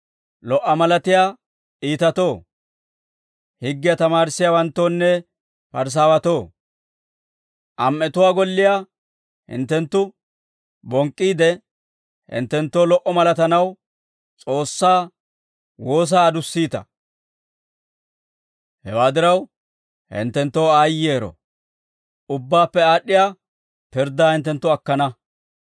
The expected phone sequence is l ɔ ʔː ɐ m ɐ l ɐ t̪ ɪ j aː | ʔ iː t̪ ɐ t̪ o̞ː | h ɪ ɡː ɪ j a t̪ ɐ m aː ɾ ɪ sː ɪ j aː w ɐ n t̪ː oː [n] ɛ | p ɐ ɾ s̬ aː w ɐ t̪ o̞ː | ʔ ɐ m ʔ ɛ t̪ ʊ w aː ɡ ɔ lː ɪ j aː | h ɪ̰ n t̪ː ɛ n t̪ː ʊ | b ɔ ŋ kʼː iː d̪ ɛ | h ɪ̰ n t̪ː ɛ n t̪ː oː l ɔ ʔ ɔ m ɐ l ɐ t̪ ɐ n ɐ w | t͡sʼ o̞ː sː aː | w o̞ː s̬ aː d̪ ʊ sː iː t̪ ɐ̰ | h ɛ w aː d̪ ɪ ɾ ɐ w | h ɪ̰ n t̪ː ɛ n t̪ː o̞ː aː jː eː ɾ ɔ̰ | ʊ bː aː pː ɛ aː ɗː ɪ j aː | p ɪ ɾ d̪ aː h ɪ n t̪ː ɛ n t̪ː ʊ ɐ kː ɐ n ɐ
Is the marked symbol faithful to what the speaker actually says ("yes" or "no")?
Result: no